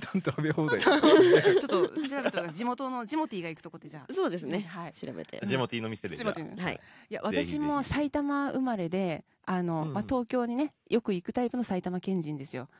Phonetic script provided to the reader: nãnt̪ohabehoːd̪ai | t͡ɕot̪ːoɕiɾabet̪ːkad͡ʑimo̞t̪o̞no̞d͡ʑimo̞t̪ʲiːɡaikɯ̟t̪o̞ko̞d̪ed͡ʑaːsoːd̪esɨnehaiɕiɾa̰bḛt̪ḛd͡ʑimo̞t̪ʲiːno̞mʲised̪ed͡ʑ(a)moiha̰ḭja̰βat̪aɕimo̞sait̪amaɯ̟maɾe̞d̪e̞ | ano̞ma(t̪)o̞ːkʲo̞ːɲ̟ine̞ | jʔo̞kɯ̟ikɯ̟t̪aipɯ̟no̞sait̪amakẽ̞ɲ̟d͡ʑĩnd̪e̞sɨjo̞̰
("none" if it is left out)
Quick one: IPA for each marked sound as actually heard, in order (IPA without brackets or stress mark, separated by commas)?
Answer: i, t̪